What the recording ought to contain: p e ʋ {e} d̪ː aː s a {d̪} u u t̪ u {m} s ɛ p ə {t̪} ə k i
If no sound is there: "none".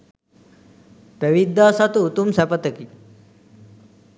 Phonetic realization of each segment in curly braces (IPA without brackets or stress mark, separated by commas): i, t̪, m, t̪